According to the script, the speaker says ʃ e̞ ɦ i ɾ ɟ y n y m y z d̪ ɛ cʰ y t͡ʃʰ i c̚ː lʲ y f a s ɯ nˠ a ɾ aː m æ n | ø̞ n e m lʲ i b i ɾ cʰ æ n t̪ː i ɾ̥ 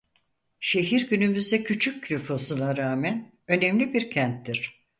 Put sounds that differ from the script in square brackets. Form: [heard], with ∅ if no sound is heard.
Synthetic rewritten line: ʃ e̞ ɦ i ɾ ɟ y n y m y z d̪ ɛ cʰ y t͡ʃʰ [y] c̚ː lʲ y f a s ɯ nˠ a ɾ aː m æ n | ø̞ n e m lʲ i b i ɾ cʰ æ n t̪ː i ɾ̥

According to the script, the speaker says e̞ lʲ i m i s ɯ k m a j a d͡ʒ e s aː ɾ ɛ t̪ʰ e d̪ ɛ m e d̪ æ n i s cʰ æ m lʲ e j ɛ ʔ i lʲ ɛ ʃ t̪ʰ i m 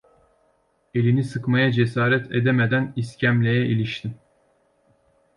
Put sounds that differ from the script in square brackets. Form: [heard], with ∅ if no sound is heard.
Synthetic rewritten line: e̞ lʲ i [n] i s ɯ k m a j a d͡ʒ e s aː ɾ ɛ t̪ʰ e d̪ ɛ m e d̪ æ n i s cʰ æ m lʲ e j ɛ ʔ i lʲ [i] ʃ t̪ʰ i m

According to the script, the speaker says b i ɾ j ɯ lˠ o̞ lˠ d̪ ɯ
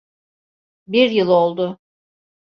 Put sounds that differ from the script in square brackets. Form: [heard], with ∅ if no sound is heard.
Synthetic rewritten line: b i ɾ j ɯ lˠ o̞ lˠ d̪ [ʊ]

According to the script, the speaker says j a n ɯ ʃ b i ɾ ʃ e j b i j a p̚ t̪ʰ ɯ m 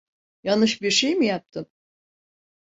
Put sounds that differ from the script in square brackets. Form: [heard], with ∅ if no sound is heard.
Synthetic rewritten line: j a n ɯ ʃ b i ɾ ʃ e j [m] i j a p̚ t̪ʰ ɯ m

